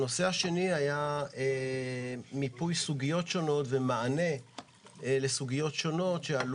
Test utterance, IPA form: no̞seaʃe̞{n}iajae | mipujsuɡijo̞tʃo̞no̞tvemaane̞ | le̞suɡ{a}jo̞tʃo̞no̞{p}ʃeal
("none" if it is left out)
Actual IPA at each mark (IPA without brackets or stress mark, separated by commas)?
n, i, t